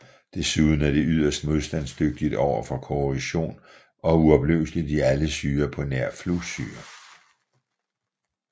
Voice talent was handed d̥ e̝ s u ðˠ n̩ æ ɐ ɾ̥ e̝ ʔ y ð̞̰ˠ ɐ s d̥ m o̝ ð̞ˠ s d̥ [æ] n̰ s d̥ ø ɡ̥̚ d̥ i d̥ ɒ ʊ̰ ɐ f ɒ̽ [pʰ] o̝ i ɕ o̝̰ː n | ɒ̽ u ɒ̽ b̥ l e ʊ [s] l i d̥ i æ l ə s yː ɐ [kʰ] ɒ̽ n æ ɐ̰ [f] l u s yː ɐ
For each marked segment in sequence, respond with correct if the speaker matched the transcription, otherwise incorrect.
correct, incorrect: kʰ, correct, incorrect: pʰ, correct

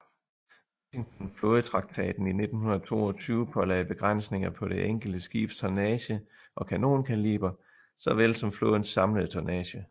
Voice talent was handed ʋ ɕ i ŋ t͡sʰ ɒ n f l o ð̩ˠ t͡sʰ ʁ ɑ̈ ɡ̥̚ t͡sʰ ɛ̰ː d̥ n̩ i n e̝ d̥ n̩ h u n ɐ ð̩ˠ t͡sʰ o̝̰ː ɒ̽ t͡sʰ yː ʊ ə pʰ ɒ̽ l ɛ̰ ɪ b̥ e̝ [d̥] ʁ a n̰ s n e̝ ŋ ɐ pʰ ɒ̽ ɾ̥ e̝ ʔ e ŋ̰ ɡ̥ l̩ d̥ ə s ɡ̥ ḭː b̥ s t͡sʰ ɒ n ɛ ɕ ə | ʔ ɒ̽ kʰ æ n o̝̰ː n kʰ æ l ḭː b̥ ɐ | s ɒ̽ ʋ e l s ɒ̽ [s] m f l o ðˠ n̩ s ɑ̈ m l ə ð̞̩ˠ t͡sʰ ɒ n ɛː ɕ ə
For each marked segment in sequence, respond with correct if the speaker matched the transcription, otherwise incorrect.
incorrect: ɡ̥, incorrect: none

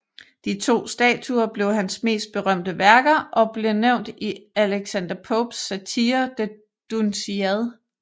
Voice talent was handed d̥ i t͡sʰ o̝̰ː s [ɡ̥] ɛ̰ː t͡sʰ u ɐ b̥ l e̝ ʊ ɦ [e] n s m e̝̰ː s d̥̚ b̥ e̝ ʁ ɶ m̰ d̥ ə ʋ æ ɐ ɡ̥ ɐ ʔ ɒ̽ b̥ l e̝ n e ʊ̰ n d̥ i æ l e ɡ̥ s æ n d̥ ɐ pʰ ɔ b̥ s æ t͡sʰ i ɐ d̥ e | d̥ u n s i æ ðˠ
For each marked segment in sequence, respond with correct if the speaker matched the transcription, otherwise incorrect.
incorrect: d̥, incorrect: æ

